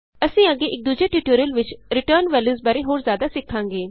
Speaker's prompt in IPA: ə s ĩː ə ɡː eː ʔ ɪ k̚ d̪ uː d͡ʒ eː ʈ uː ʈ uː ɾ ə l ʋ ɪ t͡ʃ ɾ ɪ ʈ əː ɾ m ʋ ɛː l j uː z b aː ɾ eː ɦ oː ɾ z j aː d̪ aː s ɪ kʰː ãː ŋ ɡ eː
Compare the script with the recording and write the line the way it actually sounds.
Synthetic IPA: ə s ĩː ə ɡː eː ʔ ɪ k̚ d̪ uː d͡ʒ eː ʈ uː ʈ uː ɾ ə l ʋ ɪ t͡ʃ ɾ ɪ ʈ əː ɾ n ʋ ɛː l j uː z b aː ɾ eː ɦ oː ɾ z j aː d̪ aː s ɪ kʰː ãː ŋ ɡ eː